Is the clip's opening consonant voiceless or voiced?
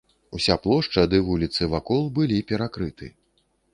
voiceless